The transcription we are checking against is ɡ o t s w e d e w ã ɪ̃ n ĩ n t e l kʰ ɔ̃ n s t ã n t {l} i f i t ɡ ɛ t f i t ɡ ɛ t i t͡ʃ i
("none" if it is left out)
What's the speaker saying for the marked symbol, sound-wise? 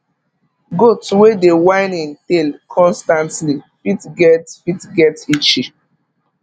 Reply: l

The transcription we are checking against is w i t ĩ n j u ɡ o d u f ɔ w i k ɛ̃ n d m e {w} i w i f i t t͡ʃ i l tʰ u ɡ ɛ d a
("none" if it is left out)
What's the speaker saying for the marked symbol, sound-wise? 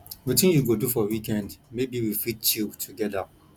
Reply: b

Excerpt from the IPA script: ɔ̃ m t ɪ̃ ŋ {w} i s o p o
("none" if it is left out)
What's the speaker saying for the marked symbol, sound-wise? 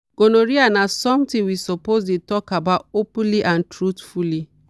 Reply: w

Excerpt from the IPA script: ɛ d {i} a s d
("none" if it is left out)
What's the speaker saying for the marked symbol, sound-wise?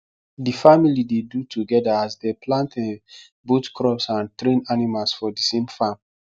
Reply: a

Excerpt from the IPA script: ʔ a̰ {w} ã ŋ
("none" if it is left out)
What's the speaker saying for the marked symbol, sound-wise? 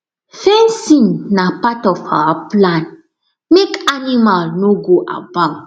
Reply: b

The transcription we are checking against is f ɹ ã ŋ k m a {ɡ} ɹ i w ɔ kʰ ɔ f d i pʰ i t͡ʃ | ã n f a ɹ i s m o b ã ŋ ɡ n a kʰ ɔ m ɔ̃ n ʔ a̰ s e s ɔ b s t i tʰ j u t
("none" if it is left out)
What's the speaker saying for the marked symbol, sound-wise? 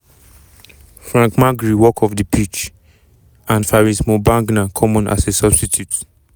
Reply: ɡ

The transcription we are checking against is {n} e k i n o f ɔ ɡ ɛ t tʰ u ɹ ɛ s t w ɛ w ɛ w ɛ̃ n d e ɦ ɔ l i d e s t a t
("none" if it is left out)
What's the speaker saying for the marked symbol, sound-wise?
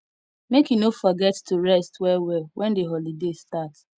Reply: m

